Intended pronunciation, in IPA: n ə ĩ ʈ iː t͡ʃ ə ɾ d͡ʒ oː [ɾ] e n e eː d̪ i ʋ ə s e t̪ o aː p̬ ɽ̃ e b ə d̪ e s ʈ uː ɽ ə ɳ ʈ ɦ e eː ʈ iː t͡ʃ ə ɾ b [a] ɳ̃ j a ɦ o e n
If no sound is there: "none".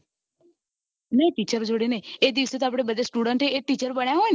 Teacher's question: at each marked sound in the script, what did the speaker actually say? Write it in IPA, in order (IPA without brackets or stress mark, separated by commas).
ɽ, ə